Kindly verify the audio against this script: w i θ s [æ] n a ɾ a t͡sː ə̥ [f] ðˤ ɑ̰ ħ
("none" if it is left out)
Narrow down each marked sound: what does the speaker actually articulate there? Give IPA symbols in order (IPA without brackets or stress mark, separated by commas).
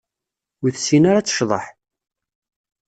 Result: i, ʃ